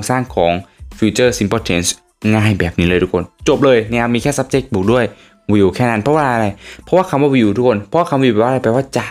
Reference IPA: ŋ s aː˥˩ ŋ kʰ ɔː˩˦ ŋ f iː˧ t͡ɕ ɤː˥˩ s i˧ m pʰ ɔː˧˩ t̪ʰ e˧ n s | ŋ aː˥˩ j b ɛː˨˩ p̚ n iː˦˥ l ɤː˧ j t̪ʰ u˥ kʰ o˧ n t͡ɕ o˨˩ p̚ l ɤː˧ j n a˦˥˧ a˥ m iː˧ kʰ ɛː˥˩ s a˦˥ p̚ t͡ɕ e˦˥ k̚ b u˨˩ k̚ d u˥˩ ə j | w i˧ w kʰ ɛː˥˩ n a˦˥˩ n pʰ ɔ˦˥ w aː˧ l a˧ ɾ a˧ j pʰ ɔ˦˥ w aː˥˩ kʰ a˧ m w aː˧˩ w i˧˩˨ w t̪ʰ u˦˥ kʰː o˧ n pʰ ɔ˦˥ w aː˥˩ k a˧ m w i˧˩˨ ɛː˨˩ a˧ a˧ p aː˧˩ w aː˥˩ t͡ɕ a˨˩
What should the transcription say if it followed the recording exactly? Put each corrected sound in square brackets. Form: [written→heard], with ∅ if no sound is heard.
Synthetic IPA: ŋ s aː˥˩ ŋ kʰ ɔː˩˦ ŋ f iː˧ t͡ɕ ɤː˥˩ s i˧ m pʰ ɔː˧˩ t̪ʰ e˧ n s | ŋ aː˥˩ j b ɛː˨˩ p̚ n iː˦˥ l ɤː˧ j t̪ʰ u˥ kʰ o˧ n t͡ɕ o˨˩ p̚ l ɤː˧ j n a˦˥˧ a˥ m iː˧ kʰ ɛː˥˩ s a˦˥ p̚ t͡ɕ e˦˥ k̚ b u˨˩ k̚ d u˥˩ ə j | w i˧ w kʰ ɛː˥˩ n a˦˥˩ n pʰ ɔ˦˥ w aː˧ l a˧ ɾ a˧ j pʰ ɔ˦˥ w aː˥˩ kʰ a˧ m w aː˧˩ w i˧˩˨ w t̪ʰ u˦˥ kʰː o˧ n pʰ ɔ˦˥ w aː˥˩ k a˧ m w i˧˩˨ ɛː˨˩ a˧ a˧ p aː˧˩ w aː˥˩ t͡ɕ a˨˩